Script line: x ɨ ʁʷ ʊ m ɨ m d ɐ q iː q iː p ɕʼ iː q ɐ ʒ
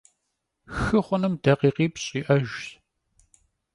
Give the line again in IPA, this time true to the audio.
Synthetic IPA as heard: x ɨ χʷ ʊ n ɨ m d ɐ q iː q iː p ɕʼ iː ʔ ɐ ʒ